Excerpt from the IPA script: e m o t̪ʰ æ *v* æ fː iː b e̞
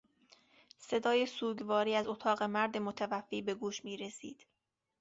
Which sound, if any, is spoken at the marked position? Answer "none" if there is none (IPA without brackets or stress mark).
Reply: v